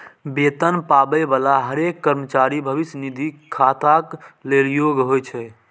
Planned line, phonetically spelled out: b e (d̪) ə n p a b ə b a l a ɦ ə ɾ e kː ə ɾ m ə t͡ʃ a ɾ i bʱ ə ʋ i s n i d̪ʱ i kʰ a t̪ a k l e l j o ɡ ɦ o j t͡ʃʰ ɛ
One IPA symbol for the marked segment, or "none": t̪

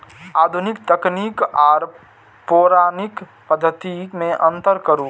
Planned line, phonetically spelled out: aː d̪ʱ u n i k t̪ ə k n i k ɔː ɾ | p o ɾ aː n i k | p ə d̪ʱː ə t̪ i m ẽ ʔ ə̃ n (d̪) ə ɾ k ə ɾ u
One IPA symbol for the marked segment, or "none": t̪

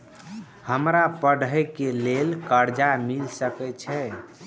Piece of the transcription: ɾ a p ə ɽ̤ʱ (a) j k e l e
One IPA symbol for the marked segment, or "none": ə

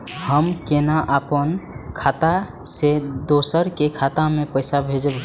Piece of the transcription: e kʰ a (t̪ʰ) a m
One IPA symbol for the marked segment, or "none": t̪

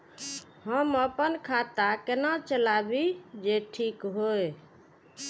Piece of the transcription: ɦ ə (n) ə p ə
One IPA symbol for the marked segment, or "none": m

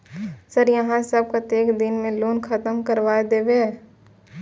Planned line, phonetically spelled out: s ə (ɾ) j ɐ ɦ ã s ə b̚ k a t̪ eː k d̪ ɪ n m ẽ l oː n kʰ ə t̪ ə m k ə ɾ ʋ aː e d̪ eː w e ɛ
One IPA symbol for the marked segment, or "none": ɾ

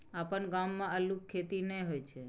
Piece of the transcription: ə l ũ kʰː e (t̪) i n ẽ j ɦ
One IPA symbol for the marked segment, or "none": t̪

